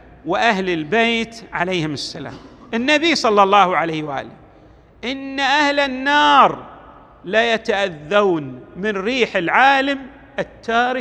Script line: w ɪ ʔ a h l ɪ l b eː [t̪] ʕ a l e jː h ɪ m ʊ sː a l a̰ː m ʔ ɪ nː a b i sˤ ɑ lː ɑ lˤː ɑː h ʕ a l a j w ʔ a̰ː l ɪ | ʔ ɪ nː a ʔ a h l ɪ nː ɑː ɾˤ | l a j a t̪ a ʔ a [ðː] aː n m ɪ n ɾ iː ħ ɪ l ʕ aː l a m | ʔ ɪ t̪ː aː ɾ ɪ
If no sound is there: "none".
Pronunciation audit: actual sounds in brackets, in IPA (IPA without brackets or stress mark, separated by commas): t̪, ðː